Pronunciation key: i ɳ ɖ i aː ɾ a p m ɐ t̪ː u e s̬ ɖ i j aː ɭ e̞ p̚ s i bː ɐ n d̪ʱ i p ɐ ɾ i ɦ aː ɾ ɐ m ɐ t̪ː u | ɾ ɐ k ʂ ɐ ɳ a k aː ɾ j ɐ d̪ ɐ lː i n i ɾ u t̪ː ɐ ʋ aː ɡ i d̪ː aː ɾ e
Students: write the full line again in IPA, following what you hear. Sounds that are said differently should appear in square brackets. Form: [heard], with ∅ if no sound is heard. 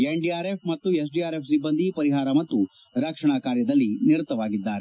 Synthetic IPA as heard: [e] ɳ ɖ i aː ɾ [e] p m ɐ t̪ː u e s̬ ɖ i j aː [ɾ] e̞ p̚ s i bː ɐ n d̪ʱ i p ɐ ɾ i ɦ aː ɾ ɐ m ɐ t̪ː u | ɾ ɐ k ʂ ɐ ɳ a k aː ɾ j ɐ d̪ ɐ lː i n i ɾ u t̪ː ɐ ʋ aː ɡ i d̪ː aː ɾ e